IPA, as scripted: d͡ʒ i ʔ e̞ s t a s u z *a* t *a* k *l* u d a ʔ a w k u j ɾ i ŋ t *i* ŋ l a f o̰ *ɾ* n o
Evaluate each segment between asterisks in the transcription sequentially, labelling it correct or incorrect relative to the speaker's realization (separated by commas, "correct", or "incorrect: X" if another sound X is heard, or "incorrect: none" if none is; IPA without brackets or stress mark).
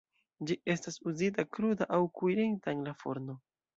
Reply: incorrect: i, correct, incorrect: ɾ, incorrect: a, correct